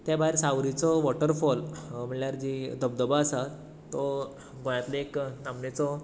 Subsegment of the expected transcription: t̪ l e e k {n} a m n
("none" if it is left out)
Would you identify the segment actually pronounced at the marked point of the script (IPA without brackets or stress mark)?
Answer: n